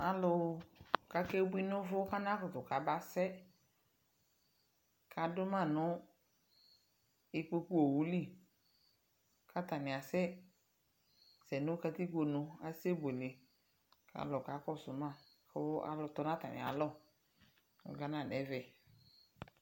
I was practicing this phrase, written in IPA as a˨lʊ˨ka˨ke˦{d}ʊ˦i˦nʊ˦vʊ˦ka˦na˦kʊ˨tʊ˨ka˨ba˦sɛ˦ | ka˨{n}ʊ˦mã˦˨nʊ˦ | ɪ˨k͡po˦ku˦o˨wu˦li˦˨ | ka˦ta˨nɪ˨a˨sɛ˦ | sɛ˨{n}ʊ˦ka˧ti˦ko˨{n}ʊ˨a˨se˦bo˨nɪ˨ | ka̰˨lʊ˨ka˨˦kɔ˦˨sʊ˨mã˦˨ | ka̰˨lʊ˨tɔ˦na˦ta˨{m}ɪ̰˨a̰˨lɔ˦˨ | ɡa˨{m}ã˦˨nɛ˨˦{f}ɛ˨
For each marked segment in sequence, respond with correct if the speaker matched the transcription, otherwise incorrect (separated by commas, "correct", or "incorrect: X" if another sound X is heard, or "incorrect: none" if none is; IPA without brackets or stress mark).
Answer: incorrect: b, incorrect: d, correct, correct, incorrect: n, incorrect: n, incorrect: v